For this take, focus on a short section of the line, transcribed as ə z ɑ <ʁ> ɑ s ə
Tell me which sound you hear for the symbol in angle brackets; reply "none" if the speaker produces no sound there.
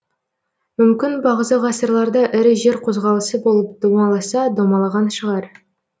ʁ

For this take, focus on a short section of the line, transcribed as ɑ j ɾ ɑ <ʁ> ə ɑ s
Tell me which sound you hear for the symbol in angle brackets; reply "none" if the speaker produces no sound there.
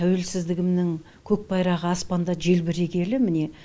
ʁ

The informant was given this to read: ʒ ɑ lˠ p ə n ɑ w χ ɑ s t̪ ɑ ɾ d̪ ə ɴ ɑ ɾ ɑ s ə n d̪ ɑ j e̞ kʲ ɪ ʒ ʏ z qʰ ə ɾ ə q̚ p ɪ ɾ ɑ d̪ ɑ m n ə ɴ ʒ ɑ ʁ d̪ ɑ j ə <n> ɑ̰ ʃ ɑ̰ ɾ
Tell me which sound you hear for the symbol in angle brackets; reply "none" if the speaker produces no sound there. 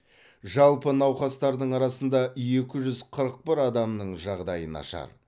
n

